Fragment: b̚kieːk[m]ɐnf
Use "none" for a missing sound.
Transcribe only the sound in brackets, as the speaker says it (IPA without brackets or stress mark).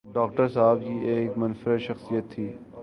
m